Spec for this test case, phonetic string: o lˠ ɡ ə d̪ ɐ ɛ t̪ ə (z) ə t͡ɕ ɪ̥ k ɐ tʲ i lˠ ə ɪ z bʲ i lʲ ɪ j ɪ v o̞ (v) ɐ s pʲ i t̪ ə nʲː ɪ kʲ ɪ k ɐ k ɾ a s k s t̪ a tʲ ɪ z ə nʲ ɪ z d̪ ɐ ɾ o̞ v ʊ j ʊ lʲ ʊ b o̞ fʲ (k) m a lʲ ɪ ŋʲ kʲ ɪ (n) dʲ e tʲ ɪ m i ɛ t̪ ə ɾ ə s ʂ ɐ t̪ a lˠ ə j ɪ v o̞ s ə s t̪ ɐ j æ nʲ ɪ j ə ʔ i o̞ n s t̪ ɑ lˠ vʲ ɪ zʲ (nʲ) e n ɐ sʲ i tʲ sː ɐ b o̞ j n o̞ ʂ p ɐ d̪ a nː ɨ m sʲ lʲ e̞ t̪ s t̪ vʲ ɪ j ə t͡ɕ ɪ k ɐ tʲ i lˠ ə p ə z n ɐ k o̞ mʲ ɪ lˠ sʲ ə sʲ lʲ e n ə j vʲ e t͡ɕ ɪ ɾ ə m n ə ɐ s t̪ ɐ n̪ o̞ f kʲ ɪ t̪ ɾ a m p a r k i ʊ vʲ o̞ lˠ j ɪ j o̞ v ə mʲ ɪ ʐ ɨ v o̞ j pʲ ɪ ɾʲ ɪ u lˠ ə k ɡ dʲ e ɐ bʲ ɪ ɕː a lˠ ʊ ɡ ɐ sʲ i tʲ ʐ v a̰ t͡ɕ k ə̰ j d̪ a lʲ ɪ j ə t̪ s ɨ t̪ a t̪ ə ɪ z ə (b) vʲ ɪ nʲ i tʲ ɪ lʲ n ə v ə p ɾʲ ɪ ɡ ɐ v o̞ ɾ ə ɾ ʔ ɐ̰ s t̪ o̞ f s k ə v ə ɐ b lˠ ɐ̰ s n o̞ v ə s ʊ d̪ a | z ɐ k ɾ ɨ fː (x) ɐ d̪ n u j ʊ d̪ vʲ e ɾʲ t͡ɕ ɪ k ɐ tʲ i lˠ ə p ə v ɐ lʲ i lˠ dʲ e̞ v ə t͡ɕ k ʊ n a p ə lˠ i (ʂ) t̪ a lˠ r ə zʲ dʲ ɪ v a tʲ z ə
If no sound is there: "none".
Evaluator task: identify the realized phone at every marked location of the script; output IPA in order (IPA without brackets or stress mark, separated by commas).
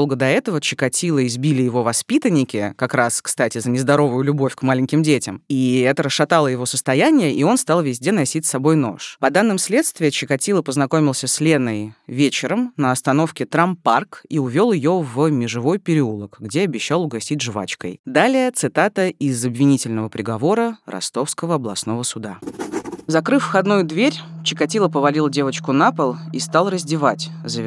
v, v, k, m, dʲ, b, x, s